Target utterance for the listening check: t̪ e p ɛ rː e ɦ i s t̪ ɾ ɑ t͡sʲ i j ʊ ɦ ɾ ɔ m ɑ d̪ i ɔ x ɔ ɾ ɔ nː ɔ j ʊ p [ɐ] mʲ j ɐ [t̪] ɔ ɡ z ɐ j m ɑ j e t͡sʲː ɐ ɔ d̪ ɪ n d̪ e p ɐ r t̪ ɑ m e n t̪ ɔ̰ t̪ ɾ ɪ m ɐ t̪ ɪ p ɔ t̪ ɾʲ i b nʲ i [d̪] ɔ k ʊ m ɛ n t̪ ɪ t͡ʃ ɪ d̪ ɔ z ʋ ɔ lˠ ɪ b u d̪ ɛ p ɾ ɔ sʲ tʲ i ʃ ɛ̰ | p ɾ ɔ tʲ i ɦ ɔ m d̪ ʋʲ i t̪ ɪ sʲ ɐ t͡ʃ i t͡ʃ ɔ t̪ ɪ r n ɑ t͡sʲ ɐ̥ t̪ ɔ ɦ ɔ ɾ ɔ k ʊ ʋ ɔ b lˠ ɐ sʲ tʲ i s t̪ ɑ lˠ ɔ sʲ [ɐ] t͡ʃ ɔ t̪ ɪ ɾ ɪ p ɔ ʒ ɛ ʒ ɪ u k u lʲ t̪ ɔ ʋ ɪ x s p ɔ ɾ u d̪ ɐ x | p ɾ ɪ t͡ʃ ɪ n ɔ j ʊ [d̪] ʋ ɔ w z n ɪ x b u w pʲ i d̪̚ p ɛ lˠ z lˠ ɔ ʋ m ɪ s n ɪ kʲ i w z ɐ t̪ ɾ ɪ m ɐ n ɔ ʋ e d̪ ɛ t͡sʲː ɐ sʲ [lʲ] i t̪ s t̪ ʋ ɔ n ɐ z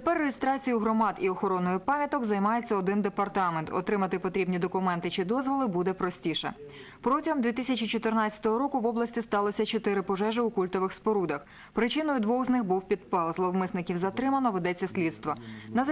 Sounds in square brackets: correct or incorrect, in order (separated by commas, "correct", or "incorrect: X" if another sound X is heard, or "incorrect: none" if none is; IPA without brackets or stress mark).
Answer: incorrect: ɑ, correct, correct, correct, correct, correct